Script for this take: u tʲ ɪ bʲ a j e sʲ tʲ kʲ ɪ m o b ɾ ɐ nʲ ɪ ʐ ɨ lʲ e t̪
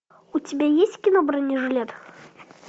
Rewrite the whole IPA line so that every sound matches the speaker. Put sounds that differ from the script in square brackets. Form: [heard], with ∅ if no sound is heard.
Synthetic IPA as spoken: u tʲ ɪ bʲ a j e sʲ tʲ kʲ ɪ [n] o b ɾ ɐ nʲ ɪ ʐ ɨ lʲ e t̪